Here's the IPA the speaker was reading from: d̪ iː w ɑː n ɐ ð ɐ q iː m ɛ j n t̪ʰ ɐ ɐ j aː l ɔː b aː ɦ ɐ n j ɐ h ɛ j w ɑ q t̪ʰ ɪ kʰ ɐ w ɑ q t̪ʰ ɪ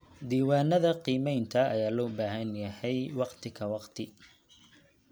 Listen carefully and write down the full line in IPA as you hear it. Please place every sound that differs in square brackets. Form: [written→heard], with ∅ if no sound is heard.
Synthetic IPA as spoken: d̪ iː w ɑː n ɐ ð ɐ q iː m ɛ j n t̪ʰ ɐ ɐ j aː l ɔː b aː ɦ ɐ n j ɐ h ɛ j w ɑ q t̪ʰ ɪ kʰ ɐ w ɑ q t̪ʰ ɪ